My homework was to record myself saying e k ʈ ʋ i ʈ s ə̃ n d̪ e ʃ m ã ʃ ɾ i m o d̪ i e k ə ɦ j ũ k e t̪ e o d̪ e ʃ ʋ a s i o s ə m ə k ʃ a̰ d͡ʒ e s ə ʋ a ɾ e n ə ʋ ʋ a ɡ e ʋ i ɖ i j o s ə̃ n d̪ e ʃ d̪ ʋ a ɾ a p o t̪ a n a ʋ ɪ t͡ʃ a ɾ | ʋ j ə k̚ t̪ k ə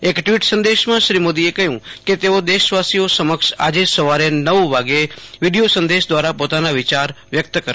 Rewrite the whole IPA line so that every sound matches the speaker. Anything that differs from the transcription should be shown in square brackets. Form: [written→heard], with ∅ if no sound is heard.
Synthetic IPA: e k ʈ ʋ i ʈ s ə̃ n d̪ e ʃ m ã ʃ ɾ i m o d̪ i e k ə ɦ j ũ k e t̪ e o d̪ e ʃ ʋ a s i o s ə m ə k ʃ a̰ d͡ʒ e s ə ʋ a ɾ e n ə ʋ ʋ a ɡ e ʋ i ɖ i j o s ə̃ n d̪ e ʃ d̪ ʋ a ɾ a p o t̪ a n a ʋ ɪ t͡ʃ a ɾ | ʋ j ə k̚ t̪ k ə